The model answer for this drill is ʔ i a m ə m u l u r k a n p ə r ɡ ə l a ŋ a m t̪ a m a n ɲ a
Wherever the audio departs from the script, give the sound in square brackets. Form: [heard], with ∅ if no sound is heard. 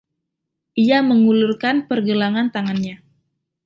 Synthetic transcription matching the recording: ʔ i a m ə [ŋ] u l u r k a n p ə r ɡ ə l a ŋ a [n] t̪ a [ŋ] a n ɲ a